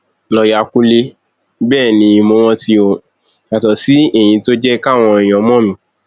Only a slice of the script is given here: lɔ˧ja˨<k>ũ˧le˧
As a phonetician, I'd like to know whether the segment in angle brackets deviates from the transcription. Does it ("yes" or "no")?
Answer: no